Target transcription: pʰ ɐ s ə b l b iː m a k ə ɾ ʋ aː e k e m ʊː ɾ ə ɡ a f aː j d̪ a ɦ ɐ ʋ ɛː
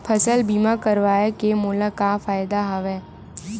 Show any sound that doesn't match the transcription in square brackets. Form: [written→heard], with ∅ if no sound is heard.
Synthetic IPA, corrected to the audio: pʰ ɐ s ə [b→∅] l b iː m a k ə ɾ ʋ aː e k e m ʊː [ɾ→l] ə [ɡ→k] a f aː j d̪ a ɦ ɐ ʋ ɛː